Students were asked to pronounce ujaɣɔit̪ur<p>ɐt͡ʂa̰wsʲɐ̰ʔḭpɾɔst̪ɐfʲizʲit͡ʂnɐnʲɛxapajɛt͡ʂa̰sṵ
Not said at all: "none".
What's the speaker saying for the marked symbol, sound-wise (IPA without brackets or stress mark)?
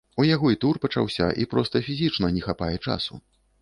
p